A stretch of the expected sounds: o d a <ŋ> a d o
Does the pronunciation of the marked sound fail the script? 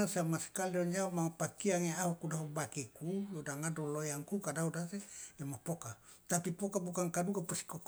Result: no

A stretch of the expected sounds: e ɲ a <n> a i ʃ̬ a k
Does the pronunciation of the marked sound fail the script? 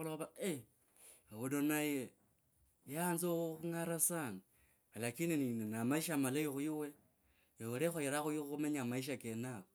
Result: yes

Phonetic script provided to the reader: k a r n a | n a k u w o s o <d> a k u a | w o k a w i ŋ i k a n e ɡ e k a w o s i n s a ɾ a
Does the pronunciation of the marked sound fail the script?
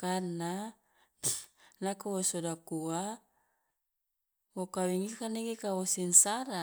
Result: no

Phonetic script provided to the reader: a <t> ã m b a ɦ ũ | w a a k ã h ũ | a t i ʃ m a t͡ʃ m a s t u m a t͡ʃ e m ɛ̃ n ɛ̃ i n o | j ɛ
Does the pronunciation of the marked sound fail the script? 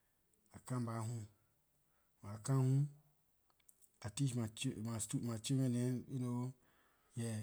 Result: yes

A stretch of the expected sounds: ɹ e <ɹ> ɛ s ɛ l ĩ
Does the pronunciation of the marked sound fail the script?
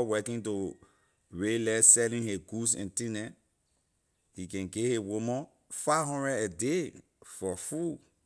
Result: yes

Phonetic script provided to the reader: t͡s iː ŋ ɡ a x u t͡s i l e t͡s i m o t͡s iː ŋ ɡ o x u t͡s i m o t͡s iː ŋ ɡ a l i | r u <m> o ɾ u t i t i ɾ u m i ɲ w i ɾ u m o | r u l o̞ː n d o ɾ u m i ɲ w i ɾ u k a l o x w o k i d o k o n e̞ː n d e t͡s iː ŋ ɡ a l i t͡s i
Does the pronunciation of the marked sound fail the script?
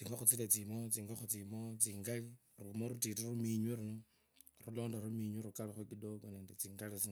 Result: no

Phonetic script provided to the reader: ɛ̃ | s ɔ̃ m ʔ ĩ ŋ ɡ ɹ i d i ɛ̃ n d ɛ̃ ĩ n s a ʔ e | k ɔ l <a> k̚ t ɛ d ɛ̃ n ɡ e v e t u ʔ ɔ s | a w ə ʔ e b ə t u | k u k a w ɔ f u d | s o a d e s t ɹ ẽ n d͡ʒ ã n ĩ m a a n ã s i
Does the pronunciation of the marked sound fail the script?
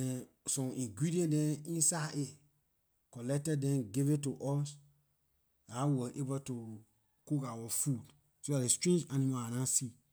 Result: yes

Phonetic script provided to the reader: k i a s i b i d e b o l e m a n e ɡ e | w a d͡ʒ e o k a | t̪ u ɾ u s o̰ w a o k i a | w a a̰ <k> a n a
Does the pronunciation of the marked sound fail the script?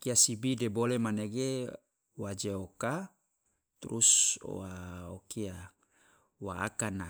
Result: no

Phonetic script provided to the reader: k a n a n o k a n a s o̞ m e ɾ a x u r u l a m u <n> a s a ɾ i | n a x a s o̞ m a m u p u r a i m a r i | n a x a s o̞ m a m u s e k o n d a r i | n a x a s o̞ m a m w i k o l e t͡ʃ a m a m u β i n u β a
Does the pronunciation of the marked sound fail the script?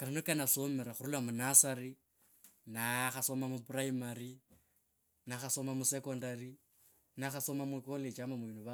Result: no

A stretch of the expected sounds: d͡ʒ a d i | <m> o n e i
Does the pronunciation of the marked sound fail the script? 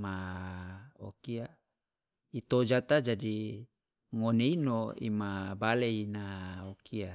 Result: yes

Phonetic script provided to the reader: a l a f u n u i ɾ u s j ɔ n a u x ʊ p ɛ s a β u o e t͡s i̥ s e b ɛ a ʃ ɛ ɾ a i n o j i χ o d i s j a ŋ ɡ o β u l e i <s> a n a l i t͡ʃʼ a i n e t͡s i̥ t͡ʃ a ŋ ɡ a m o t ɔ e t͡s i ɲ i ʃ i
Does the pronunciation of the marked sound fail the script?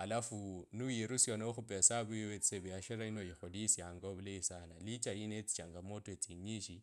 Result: no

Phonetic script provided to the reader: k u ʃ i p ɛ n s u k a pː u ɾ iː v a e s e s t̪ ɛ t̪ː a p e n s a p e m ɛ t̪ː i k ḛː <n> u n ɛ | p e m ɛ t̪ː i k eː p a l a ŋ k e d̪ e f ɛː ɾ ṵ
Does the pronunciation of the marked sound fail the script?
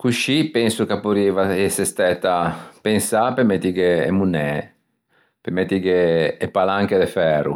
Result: yes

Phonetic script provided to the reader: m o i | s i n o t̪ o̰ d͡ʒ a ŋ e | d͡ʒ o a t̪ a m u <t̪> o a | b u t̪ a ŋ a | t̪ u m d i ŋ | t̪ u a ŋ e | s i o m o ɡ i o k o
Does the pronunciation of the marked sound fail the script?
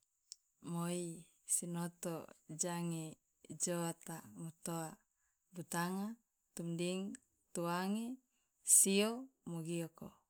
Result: no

